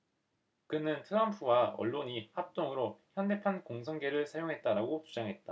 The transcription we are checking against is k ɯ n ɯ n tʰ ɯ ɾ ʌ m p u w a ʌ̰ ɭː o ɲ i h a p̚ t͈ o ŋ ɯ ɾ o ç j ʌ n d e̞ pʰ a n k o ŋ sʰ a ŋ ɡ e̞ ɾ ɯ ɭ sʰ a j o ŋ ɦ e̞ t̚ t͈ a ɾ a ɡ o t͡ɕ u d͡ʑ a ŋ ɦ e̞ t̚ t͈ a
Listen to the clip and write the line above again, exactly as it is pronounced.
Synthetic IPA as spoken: k ɯ n ɯ n tʰ ɯ ɾ ʌ m pʰ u w a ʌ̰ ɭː o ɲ i h a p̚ t͈ o ŋ ɯ ɾ o ç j ʌ n d e̞ pʰ a n k o ŋ sʰ ʌ ŋ ɡ e̞ ɾ ɯ ɭ sʰ a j o ŋ ɦ e̞ t̚ t͈ a ɾ a ɡ o t͡ɕ u d͡ʑ a ŋ ɦ e̞ t̚ t͈ a